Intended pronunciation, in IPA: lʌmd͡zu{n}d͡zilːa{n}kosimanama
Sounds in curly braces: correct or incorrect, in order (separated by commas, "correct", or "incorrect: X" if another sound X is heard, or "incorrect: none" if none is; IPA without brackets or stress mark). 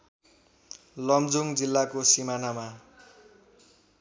incorrect: ŋ, incorrect: none